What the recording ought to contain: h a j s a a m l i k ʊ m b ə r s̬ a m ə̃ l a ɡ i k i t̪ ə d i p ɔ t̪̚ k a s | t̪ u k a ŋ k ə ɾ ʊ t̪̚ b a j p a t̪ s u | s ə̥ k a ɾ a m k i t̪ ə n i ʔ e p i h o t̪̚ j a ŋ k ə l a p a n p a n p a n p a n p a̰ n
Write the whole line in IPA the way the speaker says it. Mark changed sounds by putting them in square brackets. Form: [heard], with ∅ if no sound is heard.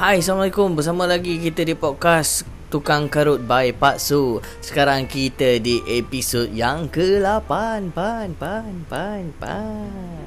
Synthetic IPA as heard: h a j s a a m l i k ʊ m b ə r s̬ a m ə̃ l a ɡ i k i t̪ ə d i p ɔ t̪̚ k a s | t̪ u k a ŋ k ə ɾ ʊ t̪̚ b a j p a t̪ s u | s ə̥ k a ɾ a [ŋ] k i t̪ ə [d] i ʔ e p i [s] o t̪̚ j a ŋ k ə l a p a n p a n p a n p a n p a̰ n